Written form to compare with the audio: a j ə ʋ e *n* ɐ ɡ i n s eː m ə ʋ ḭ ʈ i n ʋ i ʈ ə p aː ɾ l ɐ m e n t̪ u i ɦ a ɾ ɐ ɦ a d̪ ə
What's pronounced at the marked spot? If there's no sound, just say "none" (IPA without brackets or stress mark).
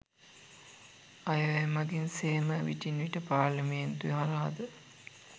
m